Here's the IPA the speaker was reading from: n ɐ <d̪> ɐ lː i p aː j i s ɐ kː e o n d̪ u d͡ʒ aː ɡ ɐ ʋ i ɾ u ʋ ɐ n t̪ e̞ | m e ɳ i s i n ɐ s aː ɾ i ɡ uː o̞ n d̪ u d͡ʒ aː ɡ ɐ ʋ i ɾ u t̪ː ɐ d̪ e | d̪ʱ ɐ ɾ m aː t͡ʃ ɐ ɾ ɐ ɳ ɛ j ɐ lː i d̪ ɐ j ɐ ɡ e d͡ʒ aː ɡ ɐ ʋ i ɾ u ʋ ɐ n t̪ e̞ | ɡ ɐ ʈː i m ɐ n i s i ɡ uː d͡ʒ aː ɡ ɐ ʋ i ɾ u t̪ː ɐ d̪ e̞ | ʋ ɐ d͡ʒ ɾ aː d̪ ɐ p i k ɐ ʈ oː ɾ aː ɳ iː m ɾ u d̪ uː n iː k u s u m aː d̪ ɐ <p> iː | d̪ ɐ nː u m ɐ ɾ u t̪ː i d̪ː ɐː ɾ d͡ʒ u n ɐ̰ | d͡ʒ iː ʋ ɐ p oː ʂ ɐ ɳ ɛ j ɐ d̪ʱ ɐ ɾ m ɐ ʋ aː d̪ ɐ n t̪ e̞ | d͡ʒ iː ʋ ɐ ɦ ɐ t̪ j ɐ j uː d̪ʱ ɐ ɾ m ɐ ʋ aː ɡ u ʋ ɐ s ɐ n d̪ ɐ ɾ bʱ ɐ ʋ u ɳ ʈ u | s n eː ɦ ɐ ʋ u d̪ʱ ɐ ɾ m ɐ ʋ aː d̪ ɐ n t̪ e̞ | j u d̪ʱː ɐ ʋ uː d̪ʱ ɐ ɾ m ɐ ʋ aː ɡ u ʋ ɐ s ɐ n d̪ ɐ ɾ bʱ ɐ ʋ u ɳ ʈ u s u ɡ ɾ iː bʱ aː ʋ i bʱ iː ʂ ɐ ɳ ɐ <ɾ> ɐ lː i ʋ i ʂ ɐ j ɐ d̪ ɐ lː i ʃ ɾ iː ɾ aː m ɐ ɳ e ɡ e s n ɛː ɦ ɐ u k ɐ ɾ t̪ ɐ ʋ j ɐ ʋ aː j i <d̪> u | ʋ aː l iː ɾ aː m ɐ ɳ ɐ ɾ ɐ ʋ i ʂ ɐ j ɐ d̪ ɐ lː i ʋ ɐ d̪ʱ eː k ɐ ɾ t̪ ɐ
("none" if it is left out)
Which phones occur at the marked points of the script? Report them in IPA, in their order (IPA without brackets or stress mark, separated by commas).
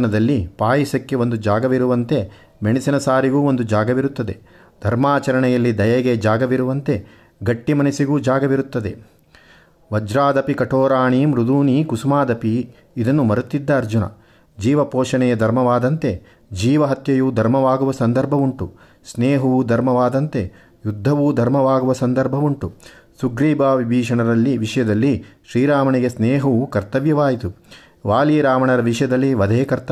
d̪, p, ɾ, t̪